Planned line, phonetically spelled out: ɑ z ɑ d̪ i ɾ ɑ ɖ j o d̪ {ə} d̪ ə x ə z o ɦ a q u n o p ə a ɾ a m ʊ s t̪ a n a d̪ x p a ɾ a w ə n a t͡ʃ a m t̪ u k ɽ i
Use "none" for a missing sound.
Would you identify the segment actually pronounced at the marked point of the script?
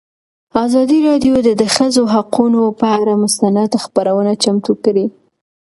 ə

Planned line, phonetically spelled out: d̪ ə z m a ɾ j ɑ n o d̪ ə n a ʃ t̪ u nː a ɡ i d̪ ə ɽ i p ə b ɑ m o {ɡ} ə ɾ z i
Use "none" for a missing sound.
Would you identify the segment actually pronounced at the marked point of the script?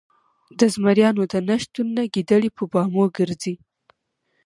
ɡ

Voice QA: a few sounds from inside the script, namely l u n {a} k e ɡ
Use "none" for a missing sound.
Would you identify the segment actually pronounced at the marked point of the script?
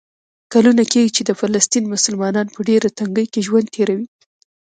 a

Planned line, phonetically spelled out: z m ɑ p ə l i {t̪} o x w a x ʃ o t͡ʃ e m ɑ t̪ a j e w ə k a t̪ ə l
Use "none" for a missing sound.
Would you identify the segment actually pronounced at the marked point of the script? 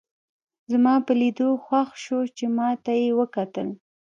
d̪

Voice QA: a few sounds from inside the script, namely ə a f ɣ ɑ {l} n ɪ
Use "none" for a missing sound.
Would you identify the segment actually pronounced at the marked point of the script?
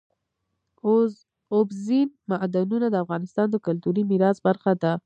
none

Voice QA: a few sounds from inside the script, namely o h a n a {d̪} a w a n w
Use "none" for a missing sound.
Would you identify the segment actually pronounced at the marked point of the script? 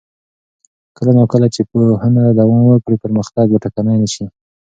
d̪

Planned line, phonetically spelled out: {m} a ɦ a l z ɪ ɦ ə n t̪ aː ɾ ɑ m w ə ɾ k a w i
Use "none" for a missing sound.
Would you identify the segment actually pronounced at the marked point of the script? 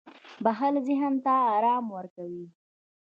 b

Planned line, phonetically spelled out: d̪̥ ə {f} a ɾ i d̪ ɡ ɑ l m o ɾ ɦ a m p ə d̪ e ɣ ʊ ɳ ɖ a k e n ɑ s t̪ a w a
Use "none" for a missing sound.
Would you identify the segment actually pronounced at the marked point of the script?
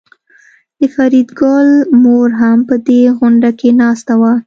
f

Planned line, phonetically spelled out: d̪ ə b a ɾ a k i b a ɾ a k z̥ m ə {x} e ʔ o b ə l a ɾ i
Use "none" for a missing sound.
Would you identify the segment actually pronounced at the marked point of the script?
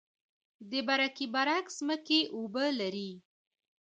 k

